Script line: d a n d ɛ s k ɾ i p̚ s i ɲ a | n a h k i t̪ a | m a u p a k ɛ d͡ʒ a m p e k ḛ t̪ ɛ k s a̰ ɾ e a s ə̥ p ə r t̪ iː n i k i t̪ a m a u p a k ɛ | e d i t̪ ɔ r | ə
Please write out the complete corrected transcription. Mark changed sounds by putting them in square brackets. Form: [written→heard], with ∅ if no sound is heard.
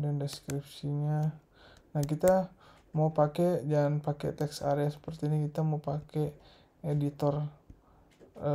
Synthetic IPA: d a n d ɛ s k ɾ i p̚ s i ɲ a | n a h k i t̪ a | m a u p a k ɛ d͡ʒ a [m→n] p [e→a] k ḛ t̪ ɛ k s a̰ ɾ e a s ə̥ p ə r t̪ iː n i k i t̪ a m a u p a k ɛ | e d i t̪ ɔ r | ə